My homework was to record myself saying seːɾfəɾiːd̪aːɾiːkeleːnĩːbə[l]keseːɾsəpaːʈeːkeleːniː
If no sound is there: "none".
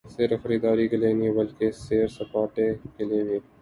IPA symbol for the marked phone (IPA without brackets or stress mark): l